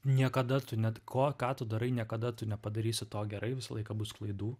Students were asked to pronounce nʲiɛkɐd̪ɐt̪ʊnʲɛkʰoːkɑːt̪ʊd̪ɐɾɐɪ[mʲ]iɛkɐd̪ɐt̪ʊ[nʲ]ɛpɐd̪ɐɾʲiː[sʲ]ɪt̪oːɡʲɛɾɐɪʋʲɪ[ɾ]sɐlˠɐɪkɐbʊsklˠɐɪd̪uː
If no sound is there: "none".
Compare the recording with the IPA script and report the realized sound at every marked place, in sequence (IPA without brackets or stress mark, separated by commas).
nʲ, nʲ, sʲ, none